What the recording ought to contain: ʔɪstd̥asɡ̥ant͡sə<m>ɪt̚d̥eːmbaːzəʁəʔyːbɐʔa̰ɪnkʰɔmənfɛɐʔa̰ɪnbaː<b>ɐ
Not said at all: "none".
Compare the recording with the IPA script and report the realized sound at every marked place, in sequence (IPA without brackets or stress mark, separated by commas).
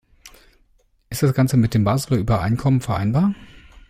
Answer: m, none